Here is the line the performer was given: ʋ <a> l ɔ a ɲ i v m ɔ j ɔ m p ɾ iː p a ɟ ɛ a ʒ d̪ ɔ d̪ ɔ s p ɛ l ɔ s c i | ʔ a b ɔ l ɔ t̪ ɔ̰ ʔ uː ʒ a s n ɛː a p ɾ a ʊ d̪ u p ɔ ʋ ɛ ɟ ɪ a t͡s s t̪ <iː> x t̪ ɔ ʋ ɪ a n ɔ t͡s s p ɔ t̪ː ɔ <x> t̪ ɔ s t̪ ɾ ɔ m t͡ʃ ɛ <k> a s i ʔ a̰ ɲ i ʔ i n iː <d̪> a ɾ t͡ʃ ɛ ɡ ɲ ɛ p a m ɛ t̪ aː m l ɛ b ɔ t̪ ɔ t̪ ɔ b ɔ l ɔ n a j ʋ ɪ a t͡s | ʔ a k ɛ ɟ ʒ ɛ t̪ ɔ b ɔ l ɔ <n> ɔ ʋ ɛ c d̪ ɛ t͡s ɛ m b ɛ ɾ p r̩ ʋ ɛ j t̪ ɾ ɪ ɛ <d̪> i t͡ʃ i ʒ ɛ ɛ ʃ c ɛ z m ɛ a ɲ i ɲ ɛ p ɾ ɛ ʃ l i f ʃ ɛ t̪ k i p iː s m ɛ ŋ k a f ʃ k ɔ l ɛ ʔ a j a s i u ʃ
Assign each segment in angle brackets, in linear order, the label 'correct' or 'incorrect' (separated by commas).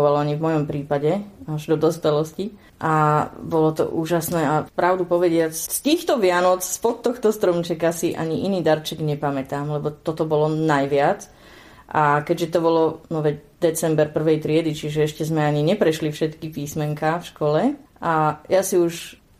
correct, correct, correct, correct, correct, correct, correct